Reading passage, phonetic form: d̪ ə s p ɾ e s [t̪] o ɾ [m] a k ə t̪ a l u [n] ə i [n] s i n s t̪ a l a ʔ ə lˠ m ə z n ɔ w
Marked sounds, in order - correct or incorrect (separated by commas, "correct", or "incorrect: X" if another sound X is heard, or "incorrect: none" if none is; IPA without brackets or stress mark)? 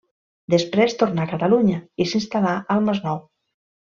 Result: correct, incorrect: n, incorrect: ɲ, incorrect: none